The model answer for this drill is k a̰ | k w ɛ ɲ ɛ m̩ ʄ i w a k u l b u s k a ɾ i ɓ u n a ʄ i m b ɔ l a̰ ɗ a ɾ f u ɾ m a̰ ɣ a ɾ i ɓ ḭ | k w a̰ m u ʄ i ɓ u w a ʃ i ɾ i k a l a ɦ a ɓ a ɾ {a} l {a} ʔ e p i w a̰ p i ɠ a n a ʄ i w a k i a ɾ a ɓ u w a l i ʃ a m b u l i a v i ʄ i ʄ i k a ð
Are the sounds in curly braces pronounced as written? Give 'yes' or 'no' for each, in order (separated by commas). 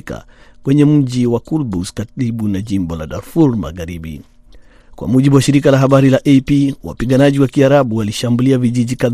no, yes